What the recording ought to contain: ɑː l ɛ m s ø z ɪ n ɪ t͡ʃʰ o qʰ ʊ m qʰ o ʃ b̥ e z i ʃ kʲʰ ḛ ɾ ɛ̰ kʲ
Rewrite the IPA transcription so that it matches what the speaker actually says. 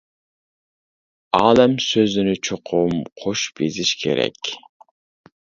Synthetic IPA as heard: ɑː l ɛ m s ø z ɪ n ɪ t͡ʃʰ o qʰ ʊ m qʰ o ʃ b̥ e z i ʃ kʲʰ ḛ ɾ ɛ̰ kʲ